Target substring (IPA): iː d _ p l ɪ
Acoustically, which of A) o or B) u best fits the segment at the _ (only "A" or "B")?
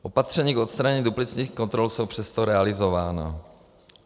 B